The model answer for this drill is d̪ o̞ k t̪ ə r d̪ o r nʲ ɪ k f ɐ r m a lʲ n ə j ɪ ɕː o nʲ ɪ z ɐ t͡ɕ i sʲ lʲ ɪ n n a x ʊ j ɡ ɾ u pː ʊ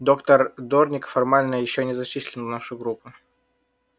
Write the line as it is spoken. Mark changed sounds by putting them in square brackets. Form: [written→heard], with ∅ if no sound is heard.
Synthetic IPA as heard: d̪ o̞ k t̪ ə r d̪ o r nʲ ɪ k f ɐ r m a lʲ n ə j ɪ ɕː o nʲ ɪ z ɐ t͡ɕ i sʲ lʲ ɪ n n a [x→ʂ] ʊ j ɡ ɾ u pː ʊ